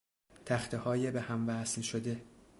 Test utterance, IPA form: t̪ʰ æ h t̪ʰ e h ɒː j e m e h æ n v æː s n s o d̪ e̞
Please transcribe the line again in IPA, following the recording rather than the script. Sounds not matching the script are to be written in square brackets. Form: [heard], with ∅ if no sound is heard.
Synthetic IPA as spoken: t̪ʰ æ [x] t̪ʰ e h ɒː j e [b] e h æ [m] v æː s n [ʃ] o d̪ e̞